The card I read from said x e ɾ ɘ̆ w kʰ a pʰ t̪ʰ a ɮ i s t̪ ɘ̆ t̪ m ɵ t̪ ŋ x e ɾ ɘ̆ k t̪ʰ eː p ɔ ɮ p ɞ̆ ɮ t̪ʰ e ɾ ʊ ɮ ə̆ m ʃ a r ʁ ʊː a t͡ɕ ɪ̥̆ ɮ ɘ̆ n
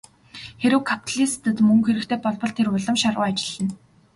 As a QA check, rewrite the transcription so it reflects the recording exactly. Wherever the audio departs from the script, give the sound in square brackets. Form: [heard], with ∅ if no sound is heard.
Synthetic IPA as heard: x e ɾ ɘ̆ w kʰ a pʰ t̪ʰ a ɮ i s t̪ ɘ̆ t̪ m ɵ [∅] ŋ x e ɾ ɘ̆ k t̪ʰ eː p ɔ ɮ p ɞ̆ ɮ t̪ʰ e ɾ ʊ ɮ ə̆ m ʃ a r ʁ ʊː a t͡ɕ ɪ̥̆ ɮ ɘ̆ n